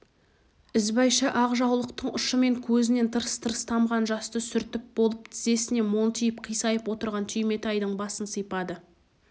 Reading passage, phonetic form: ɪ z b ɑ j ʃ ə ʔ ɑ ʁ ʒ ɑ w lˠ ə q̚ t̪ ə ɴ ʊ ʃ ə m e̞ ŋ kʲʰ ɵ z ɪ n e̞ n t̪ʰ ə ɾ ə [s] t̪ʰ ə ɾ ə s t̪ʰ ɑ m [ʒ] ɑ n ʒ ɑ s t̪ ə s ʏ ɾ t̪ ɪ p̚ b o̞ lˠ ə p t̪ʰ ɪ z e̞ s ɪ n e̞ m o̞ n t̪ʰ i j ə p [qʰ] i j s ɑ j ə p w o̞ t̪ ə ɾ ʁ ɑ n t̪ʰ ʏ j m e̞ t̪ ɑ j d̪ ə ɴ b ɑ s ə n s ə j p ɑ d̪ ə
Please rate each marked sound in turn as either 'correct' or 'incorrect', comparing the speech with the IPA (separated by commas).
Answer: correct, incorrect, correct